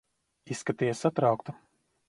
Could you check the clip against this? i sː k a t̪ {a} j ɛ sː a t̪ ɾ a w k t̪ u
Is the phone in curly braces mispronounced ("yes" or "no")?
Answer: yes